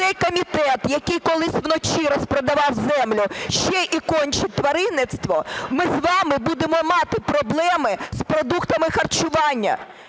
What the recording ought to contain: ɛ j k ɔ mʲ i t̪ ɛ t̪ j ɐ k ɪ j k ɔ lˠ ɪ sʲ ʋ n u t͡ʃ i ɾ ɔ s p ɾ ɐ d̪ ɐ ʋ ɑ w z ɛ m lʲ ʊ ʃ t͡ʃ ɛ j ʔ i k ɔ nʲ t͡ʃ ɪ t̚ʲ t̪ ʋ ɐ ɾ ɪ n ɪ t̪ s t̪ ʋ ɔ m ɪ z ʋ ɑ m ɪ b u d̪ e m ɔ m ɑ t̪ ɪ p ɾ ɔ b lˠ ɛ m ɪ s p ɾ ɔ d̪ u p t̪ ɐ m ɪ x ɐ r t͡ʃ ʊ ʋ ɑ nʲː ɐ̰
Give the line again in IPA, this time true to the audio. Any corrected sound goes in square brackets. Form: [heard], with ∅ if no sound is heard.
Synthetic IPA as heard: ɛ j k ɔ mʲ i t̪ ɛ t̪ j ɐ k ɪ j k ɔ lˠ ɪ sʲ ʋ n [ɔ] t͡ʃ i ɾ ɔ s p ɾ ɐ d̪ ɐ ʋ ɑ w z ɛ m lʲ ʊ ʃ t͡ʃ ɛ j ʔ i k ɔ nʲ t͡ʃ ɪ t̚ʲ t̪ ʋ ɐ ɾ ɪ n ɪ t̪ s t̪ ʋ ɔ m ɪ z ʋ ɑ m ɪ b u d̪ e m ɔ m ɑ t̪ ɪ p ɾ ɔ b lˠ ɛ m ɪ s p ɾ ɔ d̪ u [k] t̪ ɐ m ɪ x ɐ r t͡ʃ ʊ ʋ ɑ nʲː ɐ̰